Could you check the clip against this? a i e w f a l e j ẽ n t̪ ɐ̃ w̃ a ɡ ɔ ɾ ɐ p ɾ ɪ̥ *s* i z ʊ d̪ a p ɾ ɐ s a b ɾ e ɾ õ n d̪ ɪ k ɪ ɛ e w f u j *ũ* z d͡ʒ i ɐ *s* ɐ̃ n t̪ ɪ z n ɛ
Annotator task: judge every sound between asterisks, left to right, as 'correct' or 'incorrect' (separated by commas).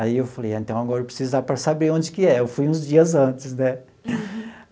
correct, correct, incorrect